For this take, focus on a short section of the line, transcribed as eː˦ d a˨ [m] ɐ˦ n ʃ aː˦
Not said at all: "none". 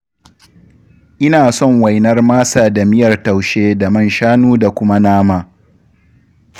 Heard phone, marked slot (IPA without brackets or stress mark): m